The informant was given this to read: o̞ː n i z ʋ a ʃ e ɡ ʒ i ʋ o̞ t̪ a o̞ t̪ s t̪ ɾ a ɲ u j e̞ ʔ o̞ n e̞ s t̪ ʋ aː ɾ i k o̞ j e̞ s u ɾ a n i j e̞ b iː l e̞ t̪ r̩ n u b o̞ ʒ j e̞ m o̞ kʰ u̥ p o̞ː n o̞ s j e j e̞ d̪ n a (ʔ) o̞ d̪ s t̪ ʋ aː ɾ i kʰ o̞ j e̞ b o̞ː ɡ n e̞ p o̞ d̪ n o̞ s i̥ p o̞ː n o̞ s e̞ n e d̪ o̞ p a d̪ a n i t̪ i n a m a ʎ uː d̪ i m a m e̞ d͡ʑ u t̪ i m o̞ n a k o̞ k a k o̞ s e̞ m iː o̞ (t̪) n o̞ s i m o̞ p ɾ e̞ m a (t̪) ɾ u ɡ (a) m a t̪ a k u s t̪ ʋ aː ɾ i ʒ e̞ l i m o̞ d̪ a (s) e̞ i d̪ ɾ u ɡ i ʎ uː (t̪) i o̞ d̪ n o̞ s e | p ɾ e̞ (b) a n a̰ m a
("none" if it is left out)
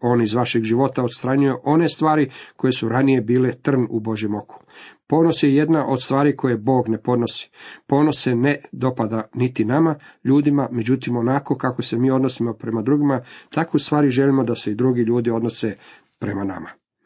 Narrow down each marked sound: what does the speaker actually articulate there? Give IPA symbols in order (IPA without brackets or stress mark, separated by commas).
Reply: ʔ, d̪, d̪, i, s, d̪, m